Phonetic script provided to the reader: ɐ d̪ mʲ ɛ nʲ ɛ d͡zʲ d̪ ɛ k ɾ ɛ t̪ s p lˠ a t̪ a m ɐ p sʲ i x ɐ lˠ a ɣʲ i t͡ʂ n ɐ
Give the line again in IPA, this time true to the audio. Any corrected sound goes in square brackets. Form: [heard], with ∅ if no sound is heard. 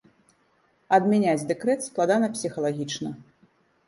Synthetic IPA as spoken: ɐ d̪ mʲ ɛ nʲ [a] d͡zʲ d̪ ɛ k ɾ ɛ t̪ s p lˠ a [d̪] a [n] ɐ p sʲ i x ɐ lˠ a ɣʲ i t͡ʂ n ɐ